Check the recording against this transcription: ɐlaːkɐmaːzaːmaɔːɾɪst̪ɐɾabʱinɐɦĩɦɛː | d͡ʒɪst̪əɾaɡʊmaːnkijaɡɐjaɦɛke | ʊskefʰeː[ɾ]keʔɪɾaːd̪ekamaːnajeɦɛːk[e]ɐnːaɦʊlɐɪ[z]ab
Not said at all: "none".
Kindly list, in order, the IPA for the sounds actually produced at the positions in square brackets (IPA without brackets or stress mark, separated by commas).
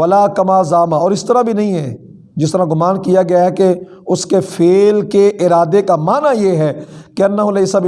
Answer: l, e, s